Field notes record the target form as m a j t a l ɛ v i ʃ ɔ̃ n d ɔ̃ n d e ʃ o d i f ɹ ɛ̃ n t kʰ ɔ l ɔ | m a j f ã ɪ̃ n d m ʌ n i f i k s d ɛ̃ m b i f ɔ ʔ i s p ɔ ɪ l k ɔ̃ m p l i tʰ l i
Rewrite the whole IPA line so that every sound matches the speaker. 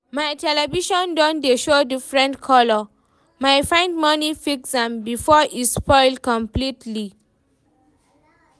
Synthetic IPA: m a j t ɛ l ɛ v i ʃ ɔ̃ n d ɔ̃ n d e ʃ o d i f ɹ ɛ̃ n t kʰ ɔ l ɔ | m a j f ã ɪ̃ n d m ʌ n i f i k s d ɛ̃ m b i f ɔ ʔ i s p ɔ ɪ l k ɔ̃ m p l i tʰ l i